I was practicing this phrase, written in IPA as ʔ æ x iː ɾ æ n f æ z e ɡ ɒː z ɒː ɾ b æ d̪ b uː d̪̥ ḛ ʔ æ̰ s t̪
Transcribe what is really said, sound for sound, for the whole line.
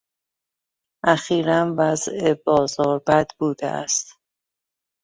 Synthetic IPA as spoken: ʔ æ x iː ɾ æ n v æ z e b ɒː z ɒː ɾ b æ d̪ b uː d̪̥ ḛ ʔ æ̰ s t̪